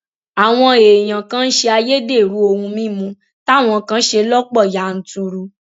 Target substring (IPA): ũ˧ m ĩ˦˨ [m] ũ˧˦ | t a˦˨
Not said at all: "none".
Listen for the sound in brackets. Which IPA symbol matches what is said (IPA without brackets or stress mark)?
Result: m